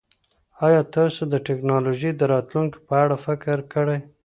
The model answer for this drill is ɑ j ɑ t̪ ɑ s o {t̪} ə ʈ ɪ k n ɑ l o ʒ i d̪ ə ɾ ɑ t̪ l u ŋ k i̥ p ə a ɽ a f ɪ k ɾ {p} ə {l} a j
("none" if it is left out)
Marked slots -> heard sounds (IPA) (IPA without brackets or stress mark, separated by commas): d̪, k, ɽ